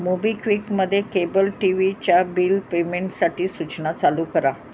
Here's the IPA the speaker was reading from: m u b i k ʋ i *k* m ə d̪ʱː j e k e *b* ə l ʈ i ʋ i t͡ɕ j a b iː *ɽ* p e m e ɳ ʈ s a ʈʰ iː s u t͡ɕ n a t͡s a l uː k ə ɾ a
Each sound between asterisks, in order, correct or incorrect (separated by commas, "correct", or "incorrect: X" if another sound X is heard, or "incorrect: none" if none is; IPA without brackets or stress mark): correct, correct, incorrect: l